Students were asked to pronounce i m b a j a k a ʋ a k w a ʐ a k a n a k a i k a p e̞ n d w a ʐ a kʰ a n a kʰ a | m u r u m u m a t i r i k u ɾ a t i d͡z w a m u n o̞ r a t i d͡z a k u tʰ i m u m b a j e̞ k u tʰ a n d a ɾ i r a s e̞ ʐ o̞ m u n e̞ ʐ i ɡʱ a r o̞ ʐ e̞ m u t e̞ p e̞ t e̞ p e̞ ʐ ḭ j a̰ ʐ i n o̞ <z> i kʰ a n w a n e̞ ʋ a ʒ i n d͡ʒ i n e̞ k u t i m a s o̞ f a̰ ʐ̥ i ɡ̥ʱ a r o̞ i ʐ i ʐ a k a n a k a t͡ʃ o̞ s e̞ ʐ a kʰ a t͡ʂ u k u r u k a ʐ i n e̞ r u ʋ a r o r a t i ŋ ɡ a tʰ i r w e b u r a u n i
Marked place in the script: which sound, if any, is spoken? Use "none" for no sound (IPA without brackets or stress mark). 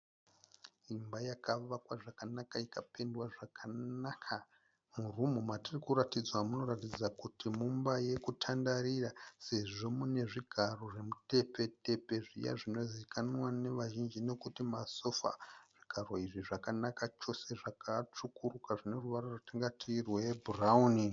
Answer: z